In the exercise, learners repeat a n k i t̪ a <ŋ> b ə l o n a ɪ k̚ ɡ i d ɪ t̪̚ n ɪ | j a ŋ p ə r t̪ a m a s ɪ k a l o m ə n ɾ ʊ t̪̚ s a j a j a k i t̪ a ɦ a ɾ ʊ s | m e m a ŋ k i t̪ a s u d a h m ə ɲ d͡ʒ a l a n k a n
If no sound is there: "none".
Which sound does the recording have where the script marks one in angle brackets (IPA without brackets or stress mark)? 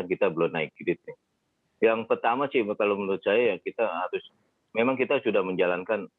none